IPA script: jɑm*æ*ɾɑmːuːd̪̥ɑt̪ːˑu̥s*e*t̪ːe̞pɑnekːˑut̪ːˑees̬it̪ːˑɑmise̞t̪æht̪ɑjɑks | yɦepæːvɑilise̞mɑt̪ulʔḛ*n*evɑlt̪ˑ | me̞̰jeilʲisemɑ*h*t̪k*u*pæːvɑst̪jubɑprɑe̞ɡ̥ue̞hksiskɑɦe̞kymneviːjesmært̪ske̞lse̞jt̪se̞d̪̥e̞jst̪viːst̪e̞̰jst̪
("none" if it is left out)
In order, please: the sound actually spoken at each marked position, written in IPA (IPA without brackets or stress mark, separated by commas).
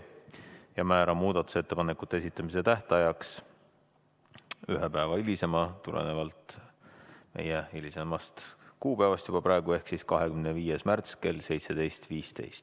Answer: æː, e, n, s, uː